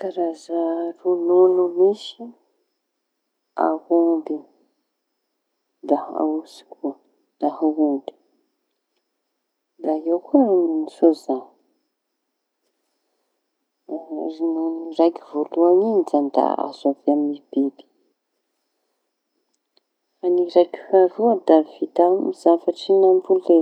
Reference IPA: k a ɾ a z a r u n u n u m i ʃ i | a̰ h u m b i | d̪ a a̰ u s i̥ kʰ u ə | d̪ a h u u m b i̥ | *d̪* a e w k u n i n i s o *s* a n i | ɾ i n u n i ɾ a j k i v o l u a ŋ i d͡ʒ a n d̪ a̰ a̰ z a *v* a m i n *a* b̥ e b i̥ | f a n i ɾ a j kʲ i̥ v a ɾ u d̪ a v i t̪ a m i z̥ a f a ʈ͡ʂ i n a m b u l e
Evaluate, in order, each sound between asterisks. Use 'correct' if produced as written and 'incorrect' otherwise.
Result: correct, incorrect, correct, incorrect

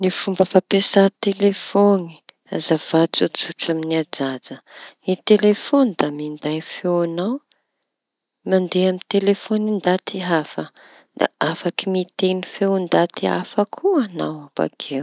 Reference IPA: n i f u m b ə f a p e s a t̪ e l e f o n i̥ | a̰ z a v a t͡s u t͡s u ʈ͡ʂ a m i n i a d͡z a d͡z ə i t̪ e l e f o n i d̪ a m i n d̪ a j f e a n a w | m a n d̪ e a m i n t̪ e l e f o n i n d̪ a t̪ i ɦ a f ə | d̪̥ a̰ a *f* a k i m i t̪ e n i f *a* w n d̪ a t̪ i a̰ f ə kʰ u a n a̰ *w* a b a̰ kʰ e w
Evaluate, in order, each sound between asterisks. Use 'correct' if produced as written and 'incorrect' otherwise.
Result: correct, incorrect, correct

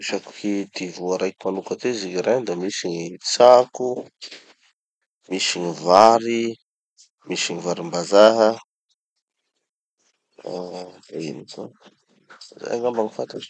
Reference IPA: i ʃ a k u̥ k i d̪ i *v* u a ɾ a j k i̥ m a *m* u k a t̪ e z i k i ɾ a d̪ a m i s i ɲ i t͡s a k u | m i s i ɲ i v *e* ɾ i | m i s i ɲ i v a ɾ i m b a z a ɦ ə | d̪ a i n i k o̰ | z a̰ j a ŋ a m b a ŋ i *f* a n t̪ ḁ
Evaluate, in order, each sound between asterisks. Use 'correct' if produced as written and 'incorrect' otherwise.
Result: correct, incorrect, incorrect, correct

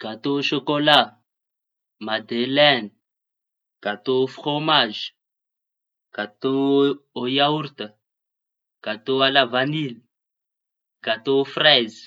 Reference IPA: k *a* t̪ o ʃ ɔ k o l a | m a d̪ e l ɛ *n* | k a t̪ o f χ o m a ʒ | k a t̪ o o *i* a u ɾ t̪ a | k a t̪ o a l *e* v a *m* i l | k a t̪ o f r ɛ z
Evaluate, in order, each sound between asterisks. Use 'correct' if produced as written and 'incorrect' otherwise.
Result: correct, correct, incorrect, incorrect, incorrect

